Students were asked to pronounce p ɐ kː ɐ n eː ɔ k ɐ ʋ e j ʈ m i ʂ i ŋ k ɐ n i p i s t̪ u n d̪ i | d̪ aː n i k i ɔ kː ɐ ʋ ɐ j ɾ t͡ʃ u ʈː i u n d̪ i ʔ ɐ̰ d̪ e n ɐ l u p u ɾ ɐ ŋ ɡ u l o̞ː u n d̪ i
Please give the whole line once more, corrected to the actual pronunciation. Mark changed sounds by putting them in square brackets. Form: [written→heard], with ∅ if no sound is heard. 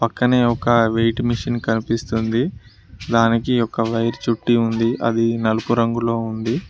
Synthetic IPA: p ɐ kː ɐ n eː ɔ k ɐ ʋ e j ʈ m i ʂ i [ŋ→n] k ɐ n i p i s t̪ u n d̪ i | d̪ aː n i k i ɔ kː ɐ ʋ ɐ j ɾ t͡ʃ u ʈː i u n d̪ i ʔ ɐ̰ d̪ [e→i] n ɐ l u p u ɾ ɐ ŋ ɡ u l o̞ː u n d̪ i